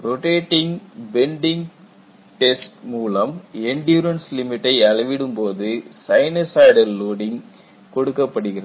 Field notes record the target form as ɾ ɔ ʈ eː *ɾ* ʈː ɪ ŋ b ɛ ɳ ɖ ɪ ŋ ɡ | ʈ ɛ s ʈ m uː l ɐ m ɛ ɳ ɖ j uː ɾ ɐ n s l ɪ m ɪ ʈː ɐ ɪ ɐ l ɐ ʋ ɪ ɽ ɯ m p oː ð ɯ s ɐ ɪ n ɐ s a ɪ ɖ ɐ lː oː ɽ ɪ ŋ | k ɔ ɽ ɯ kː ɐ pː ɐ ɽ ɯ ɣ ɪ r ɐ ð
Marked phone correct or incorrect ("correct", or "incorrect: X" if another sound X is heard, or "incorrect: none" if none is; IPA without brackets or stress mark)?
incorrect: none